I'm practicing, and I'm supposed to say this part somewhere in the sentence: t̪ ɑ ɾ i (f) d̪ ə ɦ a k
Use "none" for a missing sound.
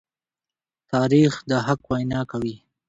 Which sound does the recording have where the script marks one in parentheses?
x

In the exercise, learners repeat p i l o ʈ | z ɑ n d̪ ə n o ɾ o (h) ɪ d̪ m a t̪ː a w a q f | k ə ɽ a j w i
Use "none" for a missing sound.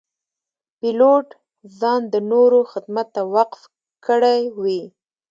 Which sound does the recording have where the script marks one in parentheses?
x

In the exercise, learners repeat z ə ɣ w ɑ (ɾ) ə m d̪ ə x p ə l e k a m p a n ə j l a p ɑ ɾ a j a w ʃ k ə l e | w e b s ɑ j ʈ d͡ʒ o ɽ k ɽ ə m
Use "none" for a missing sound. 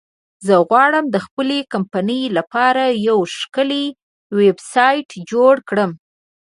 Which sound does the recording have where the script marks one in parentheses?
ɽ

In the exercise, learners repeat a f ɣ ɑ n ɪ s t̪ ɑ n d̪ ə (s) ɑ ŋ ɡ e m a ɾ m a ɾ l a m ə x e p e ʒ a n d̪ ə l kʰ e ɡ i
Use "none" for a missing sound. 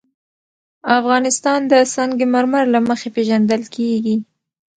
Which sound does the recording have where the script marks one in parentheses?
s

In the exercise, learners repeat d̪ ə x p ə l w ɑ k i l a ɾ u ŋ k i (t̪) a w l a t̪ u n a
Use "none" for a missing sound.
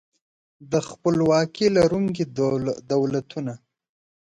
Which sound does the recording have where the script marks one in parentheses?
d̪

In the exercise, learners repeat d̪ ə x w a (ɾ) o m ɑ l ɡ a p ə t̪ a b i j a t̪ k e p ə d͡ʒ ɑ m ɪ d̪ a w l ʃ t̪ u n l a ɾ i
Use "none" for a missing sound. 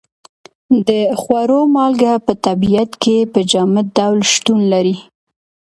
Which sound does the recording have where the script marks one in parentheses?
ɾ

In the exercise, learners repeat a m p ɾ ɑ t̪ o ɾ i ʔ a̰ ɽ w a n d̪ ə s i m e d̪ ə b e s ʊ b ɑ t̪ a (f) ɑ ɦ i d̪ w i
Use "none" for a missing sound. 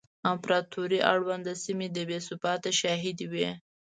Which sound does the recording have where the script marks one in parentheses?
ʃ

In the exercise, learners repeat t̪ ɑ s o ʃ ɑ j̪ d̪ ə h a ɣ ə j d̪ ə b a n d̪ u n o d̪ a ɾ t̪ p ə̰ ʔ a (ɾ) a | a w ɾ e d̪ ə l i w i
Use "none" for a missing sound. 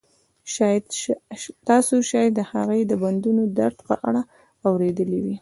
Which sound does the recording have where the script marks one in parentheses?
ɽ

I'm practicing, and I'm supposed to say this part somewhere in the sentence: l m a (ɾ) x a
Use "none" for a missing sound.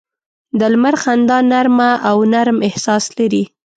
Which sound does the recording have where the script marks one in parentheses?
ɾ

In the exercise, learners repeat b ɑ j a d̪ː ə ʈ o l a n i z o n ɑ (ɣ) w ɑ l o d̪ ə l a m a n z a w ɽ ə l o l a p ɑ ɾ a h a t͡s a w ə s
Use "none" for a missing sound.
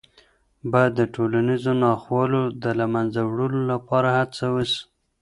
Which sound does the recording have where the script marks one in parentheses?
x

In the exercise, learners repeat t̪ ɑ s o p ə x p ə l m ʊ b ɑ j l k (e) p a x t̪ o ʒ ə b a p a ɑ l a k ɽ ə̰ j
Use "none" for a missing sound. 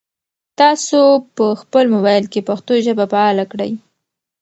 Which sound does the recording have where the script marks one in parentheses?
e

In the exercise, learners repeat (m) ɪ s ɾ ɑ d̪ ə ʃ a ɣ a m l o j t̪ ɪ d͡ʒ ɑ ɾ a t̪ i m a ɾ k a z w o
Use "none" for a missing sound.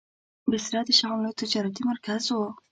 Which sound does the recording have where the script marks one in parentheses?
b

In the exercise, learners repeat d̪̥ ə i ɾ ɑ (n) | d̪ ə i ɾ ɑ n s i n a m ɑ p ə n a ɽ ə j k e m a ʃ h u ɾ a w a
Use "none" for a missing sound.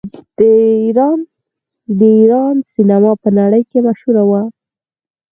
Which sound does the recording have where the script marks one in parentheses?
n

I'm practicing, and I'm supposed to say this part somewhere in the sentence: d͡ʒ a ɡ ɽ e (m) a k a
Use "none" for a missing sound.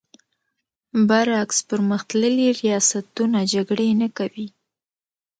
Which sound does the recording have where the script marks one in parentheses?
n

